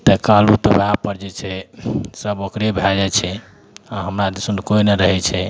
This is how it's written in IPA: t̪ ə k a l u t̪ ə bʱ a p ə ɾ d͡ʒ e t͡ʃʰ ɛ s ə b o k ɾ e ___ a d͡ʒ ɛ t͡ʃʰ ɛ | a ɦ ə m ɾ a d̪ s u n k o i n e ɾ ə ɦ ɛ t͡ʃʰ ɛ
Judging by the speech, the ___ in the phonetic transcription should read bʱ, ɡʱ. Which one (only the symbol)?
bʱ